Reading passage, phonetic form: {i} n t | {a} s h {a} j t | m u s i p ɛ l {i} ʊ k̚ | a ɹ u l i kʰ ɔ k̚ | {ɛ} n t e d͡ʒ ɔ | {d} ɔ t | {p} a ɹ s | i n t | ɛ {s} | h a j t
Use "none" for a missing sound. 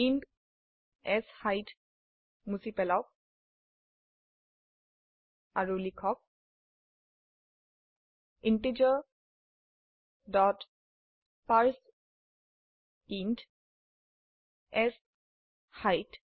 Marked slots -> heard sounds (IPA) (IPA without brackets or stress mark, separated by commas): i, ɛ, a, a, i, d, p, s